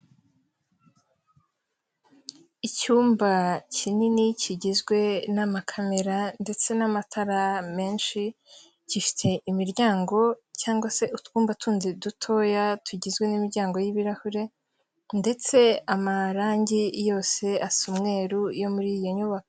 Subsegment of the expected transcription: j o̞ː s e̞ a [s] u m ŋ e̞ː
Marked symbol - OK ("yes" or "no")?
yes